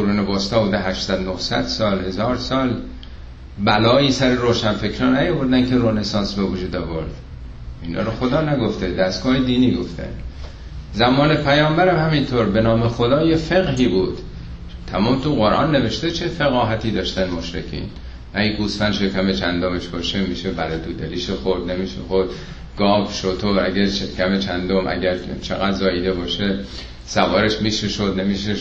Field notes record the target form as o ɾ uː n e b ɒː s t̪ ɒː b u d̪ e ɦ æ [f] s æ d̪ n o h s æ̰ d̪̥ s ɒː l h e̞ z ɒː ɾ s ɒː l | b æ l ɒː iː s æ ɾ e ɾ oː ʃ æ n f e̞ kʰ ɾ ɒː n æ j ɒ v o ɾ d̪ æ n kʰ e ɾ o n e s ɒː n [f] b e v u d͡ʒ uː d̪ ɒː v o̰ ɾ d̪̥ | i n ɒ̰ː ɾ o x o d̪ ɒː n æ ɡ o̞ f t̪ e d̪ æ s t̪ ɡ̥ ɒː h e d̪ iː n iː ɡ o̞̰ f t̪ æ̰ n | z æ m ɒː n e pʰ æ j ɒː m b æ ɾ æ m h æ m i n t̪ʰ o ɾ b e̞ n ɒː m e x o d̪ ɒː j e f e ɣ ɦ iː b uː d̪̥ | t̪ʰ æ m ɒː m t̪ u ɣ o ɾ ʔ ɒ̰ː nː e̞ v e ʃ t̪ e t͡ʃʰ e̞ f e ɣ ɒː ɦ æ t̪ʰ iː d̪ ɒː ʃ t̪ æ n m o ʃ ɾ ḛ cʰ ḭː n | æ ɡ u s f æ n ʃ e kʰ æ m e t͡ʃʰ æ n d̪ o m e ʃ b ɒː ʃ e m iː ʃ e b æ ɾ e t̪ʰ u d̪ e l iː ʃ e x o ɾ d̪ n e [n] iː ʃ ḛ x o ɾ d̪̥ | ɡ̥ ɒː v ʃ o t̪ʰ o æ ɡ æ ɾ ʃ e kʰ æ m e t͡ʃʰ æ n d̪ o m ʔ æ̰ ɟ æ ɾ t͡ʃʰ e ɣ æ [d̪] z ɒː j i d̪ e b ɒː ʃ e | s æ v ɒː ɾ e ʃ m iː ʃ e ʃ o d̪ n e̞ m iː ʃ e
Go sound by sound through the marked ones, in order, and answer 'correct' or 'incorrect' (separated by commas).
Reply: incorrect, incorrect, incorrect, correct